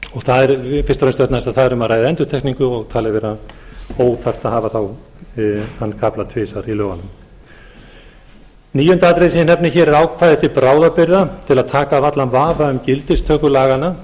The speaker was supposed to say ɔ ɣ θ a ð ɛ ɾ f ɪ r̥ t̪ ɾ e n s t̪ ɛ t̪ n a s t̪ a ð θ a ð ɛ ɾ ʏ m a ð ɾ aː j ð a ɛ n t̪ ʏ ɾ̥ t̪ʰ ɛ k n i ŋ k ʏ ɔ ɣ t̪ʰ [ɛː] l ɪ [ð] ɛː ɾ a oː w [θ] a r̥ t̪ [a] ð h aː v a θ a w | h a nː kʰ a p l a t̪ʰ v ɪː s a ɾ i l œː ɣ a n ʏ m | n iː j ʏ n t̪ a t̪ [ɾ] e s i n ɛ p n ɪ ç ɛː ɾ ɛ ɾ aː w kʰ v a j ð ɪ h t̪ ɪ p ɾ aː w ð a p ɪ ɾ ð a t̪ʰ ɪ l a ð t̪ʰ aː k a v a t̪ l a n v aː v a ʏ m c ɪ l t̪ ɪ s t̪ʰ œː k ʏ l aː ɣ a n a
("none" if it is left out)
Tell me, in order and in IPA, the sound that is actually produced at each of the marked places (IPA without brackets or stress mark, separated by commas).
aː, v, θ, a, ɾ